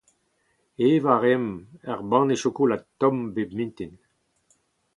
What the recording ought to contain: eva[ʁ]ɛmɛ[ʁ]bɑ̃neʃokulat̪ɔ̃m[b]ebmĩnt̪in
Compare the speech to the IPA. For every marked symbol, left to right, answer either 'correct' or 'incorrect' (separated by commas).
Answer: correct, correct, correct